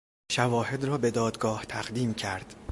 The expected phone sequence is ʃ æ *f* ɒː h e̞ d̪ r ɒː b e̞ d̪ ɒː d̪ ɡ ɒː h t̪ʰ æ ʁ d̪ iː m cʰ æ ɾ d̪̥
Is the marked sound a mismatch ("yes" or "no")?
yes